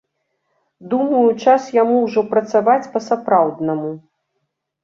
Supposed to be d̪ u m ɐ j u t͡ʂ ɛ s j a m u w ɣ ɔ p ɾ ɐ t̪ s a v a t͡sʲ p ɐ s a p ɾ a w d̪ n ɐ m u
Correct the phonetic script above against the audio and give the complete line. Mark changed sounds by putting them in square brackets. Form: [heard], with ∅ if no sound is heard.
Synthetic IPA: d̪ u m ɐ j u t͡ʂ [a] s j a m u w [ʐ] ɔ p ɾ ɐ t̪ s a v a t͡sʲ p ɐ s a p ɾ a w d̪ n ɐ m u